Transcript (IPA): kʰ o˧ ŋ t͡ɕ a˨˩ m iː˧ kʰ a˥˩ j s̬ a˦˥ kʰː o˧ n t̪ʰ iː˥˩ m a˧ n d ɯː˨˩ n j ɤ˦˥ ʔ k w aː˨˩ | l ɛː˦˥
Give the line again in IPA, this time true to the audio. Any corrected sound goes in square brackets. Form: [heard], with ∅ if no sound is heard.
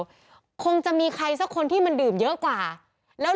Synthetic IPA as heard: kʰ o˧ ŋ t͡ɕ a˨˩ m iː˧ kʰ [a˧] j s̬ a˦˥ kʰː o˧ n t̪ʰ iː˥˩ m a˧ n d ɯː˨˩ [m] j ɤ˦˥ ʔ k w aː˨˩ | l ɛː˦˥